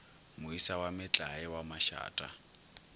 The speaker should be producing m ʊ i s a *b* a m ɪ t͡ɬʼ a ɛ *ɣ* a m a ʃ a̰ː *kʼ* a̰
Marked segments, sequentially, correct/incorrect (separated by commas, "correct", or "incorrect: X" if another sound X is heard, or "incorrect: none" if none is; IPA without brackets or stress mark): incorrect: w, incorrect: w, incorrect: tʼ